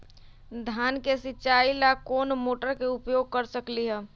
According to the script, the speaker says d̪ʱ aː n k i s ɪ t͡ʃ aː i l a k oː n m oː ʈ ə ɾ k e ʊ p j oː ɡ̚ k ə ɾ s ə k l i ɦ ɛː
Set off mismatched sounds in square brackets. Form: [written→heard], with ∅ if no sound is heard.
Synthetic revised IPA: d̪ʱ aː n k [i→e] s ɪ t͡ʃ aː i l a k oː n m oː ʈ ə ɾ k e ʊ p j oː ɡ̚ k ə ɾ s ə k l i ɦ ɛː